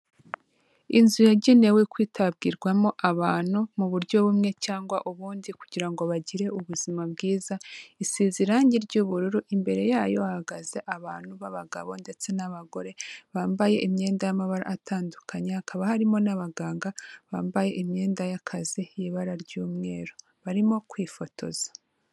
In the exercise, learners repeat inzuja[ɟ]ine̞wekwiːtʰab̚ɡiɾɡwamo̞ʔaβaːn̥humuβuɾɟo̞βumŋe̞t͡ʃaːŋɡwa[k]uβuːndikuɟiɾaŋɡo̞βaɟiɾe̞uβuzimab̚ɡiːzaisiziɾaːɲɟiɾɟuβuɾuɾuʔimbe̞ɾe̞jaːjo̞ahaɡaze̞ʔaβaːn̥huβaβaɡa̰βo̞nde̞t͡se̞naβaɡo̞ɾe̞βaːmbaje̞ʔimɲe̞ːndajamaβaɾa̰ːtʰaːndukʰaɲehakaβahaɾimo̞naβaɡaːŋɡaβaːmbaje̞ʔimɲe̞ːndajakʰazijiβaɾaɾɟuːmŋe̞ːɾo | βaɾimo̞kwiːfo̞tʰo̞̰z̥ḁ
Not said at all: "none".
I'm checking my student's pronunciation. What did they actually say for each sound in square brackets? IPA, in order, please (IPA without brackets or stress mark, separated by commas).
ɟ, ʔ